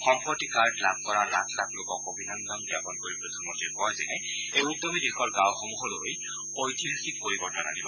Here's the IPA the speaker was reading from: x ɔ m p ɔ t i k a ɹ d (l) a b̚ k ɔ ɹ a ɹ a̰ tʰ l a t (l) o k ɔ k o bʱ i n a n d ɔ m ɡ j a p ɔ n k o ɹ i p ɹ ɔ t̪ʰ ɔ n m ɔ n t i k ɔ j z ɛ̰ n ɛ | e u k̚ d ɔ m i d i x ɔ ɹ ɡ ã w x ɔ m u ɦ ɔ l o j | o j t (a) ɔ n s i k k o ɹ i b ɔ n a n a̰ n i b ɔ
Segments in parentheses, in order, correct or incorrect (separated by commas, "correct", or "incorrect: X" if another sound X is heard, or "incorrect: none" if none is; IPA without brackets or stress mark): correct, correct, incorrect: i